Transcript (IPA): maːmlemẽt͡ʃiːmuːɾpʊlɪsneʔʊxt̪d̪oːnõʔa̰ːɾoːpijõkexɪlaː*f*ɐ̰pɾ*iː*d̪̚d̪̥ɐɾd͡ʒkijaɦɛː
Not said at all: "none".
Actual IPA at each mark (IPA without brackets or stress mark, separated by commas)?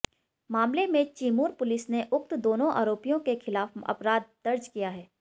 f, aː